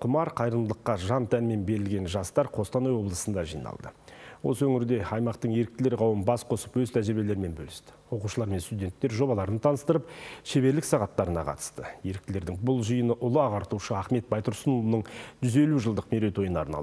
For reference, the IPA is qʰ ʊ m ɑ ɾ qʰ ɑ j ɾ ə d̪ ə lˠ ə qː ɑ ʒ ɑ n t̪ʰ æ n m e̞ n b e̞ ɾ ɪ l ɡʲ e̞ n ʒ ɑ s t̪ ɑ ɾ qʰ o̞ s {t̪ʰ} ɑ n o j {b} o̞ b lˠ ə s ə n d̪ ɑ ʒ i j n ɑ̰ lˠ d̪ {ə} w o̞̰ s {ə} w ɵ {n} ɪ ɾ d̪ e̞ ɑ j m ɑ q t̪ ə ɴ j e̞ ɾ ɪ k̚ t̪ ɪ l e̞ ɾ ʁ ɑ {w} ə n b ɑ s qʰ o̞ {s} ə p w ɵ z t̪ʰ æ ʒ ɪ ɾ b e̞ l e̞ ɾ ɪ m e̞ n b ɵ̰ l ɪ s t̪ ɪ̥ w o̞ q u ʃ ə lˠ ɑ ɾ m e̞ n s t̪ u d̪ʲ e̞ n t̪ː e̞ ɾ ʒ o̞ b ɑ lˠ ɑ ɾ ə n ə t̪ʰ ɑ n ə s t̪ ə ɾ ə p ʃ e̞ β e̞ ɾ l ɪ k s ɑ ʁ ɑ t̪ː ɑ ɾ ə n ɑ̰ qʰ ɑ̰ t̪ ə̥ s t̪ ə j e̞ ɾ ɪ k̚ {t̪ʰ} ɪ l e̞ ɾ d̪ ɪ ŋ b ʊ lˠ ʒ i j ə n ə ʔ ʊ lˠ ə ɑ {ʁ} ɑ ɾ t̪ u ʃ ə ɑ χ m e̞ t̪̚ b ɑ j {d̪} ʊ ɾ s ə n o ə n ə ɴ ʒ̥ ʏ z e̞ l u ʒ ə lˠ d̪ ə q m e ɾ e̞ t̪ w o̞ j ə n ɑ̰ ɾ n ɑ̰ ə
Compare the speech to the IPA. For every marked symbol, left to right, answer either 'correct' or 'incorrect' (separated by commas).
incorrect, incorrect, correct, correct, incorrect, correct, correct, incorrect, correct, incorrect